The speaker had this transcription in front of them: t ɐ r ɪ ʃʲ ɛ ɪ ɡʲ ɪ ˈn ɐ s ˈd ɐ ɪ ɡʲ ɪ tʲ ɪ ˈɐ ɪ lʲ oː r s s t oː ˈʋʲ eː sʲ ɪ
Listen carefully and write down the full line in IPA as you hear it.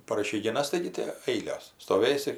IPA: p ɐ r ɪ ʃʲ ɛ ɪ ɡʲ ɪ ˈn ɐ s ˈt ɐ ɪ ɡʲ ɪ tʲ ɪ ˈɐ ɪ lʲ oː s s t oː ˈʋʲ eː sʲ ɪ